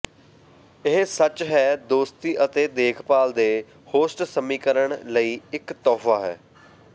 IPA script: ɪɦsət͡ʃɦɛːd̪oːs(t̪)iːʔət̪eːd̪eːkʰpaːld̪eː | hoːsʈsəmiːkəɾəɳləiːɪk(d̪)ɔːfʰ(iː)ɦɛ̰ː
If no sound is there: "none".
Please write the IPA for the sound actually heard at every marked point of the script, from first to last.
t̪, t̪, aː

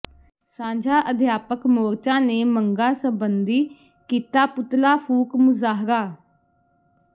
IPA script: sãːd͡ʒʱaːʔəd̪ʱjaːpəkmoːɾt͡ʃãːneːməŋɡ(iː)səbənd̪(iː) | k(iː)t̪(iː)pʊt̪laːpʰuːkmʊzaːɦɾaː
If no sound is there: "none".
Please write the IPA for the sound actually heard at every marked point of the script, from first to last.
aː, iː, iː, aː

